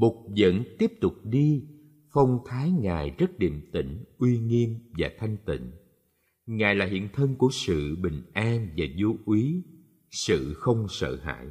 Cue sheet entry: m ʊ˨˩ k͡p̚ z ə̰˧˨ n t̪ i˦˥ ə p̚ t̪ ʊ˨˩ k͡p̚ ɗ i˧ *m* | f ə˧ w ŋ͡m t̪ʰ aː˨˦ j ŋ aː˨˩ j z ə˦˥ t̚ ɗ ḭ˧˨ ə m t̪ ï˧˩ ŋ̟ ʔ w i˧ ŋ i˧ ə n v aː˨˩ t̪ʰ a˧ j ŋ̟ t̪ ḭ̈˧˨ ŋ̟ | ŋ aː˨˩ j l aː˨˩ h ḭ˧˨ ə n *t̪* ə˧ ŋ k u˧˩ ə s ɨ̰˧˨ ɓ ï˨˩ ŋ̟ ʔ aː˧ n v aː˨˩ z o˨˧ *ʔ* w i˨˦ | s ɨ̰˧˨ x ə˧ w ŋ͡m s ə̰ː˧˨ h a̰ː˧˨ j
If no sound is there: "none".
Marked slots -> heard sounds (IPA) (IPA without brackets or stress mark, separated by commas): none, t̪ʰ, ʔ